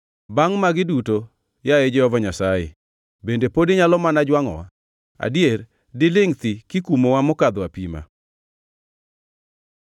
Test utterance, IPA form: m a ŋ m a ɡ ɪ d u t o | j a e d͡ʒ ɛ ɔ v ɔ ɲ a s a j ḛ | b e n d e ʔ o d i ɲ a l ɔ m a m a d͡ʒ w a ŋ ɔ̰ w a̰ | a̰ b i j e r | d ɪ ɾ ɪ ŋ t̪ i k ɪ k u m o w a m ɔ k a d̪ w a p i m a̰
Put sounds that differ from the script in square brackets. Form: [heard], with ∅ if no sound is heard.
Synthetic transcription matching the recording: [b] a ŋ m a ɡ ɪ d u t o | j a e d͡ʒ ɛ ɔ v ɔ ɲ a s a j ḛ | b e n d e [p] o d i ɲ a l ɔ m a [n] a d͡ʒ w a ŋ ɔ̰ w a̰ | a̰ [d] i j e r | d ɪ [l] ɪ ŋ t̪ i k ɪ k u m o w a m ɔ k a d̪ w a p i m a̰